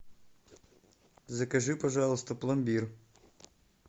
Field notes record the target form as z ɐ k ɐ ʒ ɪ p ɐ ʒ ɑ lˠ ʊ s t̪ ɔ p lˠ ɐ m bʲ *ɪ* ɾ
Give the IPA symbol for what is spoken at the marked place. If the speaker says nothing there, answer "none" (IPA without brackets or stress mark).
i